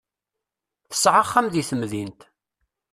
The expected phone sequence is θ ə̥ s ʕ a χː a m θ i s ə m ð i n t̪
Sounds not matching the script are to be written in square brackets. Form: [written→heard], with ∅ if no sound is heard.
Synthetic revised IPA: θ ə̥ s ʕ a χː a m [θ→ð] i [s→θ] ə m ð i n t̪